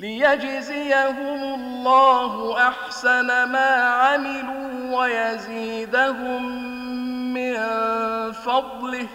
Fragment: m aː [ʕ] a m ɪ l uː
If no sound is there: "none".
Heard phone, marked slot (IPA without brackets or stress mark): ʕ